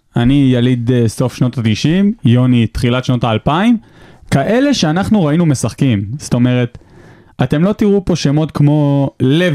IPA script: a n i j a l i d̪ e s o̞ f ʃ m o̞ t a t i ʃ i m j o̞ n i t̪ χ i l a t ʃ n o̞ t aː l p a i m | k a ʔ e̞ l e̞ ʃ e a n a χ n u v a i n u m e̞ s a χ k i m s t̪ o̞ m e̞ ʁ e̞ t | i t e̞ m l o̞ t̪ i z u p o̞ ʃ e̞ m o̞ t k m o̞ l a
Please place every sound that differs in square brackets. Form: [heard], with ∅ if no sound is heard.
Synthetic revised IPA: a n i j a l i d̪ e s o̞ f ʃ [n] o̞ t a t i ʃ i m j o̞ n i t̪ χ i l a t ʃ n o̞ t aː l p a i m | k a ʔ e̞ l e̞ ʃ e a n a χ n u [ʁ] a i n u m e̞ s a χ k i m s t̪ o̞ m e̞ ʁ e̞ t | [a] t e̞ m l o̞ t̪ i [ʁ] u p o̞ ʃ e̞ m o̞ t k m o̞ l [e]